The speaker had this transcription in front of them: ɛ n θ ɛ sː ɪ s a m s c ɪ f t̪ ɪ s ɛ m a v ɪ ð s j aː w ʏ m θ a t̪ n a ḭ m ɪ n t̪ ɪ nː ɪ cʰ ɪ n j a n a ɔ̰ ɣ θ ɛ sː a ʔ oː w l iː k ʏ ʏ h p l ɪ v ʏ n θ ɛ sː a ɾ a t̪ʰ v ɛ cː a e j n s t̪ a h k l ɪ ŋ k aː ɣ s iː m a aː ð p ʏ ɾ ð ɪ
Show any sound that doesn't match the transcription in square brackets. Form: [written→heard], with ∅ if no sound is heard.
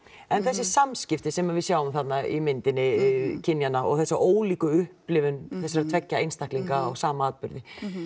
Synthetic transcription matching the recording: ɛ n θ ɛ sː ɪ s a m s c ɪ f t̪ ɪ s ɛ m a v ɪ ð s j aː w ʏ m θ a t̪ n a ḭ m ɪ n t̪ ɪ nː ɪ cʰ ɪ n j a n a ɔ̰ ɣ θ ɛ sː a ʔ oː w l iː k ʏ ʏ h p l ɪ v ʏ n θ ɛ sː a ɾ a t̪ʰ v ɛ cː a e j n s t̪ a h k l [ɪ→i] ŋ k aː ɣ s [iː→aː] m a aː ð p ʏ ɾ ð ɪ